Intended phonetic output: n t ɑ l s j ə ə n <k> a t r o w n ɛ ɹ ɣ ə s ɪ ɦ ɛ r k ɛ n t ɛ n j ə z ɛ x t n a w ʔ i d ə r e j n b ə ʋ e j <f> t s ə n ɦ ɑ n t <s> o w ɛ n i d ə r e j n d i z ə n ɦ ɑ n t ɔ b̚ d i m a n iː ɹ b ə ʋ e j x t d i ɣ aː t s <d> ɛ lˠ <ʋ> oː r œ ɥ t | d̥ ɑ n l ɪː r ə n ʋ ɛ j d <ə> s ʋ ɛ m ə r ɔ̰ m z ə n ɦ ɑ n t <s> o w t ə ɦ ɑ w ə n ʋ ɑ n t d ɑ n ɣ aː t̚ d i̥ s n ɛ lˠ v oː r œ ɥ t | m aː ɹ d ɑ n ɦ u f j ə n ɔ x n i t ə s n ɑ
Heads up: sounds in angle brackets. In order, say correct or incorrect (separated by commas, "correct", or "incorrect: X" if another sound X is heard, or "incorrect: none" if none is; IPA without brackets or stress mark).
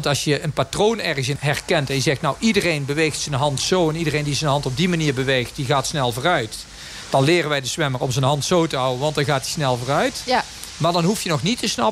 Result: incorrect: p, incorrect: x, correct, incorrect: n, incorrect: v, correct, correct